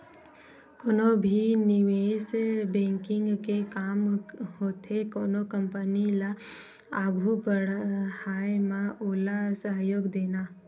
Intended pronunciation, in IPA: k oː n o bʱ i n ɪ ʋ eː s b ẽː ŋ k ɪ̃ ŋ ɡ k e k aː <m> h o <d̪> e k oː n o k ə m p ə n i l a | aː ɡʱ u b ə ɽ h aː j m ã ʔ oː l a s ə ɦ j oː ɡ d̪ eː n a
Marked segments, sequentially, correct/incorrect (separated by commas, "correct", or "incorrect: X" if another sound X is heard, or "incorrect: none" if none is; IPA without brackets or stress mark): correct, incorrect: t̪